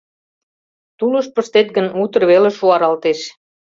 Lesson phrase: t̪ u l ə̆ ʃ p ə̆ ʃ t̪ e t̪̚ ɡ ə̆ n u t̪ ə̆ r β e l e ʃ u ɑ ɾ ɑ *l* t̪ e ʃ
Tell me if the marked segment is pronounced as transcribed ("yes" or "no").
yes